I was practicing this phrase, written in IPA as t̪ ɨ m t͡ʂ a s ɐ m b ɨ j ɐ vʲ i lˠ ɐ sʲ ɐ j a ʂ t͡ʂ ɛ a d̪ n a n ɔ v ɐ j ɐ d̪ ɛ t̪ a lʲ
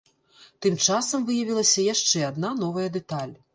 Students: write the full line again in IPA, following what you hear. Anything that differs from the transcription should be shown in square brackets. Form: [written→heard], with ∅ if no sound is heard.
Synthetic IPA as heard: t̪ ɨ m t͡ʂ a s ɐ m [b→v] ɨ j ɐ vʲ i lˠ ɐ sʲ ɐ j a ʂ t͡ʂ ɛ a d̪ n a n ɔ v ɐ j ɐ d̪ ɛ t̪ a lʲ